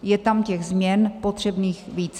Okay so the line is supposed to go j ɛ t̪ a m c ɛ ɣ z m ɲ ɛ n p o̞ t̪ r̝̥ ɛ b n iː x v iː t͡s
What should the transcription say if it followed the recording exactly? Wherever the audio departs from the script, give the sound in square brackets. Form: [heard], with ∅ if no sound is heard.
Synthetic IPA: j ɛ t̪ a m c ɛ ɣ z m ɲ ɛ n p o̞ t̪ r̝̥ ɛ b n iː x v iː t͡s